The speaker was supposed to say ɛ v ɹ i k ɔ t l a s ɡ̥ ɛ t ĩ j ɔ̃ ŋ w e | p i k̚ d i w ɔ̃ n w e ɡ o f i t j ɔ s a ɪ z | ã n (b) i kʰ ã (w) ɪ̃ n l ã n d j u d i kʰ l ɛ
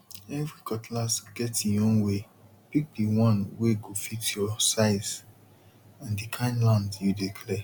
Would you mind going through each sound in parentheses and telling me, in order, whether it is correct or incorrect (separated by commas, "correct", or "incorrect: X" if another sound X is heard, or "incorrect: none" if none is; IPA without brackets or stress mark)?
incorrect: d, incorrect: none